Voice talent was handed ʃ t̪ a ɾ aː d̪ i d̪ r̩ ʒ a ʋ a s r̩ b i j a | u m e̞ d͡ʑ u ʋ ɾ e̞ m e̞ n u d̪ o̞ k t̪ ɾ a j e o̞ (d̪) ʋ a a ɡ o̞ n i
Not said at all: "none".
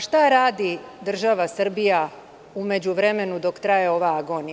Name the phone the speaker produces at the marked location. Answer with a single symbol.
none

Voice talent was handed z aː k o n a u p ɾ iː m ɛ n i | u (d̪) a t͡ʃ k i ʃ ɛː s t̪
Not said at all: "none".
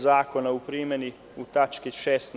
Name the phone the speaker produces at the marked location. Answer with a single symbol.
t̪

